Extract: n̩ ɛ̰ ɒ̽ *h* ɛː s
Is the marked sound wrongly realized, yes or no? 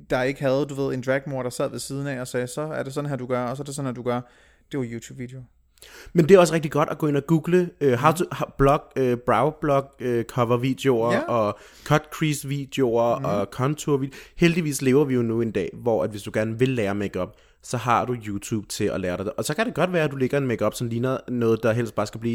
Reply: yes